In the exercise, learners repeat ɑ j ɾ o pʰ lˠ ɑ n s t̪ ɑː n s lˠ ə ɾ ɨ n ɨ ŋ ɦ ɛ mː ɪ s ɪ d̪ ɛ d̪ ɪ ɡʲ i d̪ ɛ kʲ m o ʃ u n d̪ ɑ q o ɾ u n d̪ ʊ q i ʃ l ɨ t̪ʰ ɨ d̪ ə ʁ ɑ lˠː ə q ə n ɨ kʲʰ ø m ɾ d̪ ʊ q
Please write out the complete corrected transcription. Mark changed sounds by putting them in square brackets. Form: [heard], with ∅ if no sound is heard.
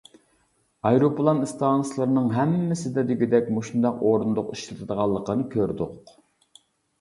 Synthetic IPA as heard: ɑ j ɾ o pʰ lˠ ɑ n s t̪ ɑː n s lˠ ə ɾ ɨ n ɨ ŋ ɦ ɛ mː ɪ s ɪ d̪ ɛ d̪ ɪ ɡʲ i d̪ ɛ kʲ m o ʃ u n d̪ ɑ q o ɾ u n d̪ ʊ q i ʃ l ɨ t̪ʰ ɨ d̪ ə ʁ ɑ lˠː ə q ə n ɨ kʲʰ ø [∅] ɾ d̪ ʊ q